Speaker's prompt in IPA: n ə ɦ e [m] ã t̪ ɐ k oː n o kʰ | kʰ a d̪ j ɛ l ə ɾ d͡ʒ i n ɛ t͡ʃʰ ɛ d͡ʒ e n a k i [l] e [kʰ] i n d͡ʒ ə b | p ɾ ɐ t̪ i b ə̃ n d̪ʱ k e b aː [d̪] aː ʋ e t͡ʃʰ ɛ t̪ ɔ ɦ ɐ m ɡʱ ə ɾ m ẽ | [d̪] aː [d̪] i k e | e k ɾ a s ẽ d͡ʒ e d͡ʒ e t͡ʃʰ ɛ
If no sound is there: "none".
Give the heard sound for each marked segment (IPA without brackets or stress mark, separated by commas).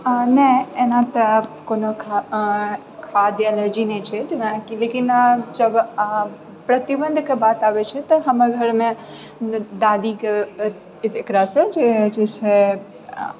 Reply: n, l, k, t̪, d̪, d̪